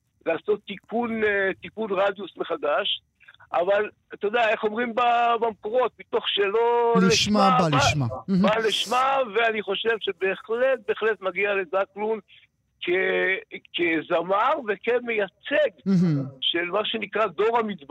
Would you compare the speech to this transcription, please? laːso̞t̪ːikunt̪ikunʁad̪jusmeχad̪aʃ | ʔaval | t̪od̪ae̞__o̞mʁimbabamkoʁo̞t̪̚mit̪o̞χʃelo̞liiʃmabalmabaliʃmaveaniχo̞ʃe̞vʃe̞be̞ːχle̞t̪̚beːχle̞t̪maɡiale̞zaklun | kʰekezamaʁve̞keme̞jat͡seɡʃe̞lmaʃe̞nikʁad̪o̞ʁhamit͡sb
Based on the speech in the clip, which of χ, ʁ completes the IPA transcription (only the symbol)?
χ